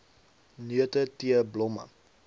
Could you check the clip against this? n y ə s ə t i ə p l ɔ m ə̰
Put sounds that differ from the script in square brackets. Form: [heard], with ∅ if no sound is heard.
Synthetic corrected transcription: n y ə [t] ə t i ə [b] l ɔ m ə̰